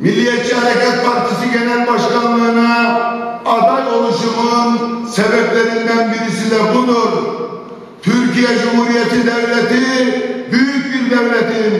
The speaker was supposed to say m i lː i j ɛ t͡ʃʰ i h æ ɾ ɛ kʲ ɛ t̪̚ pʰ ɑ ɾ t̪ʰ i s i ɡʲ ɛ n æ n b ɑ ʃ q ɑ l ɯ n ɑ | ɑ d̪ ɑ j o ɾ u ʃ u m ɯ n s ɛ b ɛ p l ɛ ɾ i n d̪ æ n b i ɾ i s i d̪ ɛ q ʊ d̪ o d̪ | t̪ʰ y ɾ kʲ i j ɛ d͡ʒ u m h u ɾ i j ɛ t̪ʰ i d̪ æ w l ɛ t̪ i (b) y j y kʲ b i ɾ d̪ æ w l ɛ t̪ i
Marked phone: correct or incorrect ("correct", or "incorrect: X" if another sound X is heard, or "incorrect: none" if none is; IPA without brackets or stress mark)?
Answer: correct